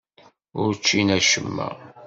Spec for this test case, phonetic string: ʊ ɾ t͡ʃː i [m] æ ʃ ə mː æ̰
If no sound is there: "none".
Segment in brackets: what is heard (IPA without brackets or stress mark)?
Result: n